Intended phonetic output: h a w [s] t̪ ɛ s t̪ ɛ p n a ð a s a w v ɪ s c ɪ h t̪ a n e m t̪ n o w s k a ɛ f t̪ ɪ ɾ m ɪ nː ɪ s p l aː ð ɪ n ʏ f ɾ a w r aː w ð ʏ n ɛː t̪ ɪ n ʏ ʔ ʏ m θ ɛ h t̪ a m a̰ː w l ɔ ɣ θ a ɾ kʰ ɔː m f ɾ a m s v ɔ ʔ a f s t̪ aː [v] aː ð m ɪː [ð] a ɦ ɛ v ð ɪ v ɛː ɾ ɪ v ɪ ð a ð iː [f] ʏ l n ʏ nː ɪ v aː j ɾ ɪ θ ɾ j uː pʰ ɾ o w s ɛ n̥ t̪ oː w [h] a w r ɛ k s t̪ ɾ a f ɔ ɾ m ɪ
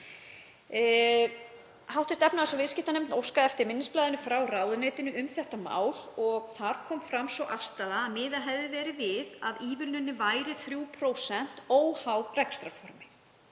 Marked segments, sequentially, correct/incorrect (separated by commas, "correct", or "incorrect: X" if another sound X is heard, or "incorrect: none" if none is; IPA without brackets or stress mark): incorrect: h, incorrect: ð, correct, incorrect: v, correct